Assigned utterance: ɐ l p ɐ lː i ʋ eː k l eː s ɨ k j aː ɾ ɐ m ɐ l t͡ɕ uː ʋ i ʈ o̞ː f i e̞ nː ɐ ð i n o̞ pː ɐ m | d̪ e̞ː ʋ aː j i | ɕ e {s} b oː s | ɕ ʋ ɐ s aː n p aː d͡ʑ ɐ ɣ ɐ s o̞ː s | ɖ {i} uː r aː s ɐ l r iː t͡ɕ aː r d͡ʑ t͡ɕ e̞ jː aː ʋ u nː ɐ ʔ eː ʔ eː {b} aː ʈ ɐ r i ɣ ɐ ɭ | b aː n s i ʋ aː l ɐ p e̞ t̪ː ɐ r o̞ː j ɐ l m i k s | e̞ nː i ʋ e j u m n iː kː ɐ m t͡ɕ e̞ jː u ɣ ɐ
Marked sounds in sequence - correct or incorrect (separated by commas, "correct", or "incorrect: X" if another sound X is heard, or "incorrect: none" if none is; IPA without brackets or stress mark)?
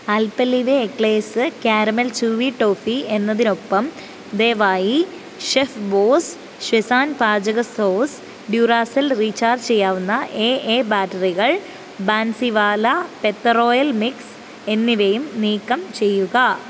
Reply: incorrect: f, incorrect: j, correct